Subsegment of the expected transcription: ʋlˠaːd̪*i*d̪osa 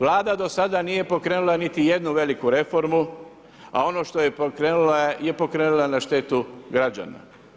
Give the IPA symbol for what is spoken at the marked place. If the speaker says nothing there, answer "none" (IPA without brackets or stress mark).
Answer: a